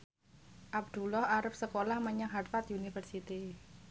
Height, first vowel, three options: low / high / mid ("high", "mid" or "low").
low